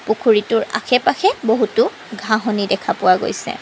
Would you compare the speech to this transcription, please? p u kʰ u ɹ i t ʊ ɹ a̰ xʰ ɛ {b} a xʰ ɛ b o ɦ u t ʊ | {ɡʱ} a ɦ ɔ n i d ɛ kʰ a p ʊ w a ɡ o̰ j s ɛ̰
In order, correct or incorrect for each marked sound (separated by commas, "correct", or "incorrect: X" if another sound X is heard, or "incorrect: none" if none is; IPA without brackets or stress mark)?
incorrect: p, correct